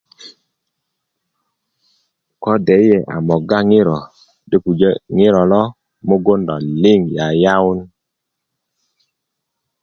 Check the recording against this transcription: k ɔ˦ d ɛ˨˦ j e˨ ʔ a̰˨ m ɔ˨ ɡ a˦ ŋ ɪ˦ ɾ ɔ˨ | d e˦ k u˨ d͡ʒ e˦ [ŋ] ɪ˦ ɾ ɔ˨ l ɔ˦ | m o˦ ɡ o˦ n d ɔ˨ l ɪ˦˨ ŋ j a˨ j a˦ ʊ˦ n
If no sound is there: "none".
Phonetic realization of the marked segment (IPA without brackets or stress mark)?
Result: ŋ